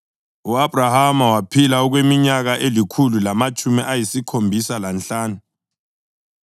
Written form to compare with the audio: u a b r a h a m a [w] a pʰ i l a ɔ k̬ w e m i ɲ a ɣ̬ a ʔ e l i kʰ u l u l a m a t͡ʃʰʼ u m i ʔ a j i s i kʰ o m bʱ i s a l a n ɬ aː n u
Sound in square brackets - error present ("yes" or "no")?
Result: no